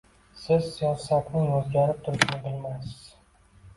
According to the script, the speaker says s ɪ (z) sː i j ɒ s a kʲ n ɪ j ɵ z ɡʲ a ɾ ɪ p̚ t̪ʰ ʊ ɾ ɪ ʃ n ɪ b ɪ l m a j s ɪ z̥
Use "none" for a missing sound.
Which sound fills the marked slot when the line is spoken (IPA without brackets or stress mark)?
z